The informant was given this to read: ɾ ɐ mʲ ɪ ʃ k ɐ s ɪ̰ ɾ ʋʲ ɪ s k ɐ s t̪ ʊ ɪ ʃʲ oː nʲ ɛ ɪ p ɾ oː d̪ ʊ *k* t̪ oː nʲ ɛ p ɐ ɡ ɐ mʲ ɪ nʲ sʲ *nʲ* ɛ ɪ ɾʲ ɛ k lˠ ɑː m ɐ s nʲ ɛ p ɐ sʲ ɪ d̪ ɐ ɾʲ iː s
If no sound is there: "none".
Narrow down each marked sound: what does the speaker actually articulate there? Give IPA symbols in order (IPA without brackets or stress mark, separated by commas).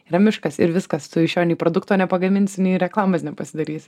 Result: k, nʲ